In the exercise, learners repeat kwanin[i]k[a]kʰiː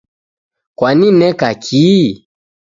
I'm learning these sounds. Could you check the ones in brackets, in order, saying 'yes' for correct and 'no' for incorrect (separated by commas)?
no, yes